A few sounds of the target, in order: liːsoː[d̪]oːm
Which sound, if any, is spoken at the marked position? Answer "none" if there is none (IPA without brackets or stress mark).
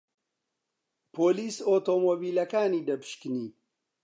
t̪